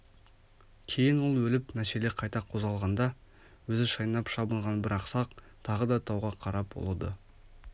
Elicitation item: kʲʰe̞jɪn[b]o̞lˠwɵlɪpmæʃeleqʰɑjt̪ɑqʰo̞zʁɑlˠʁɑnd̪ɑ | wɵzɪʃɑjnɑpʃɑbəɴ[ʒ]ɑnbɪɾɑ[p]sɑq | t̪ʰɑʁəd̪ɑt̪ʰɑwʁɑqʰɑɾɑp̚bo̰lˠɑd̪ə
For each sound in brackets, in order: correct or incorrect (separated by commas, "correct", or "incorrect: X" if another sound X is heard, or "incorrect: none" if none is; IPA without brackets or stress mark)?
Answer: incorrect: w, incorrect: ʁ, incorrect: q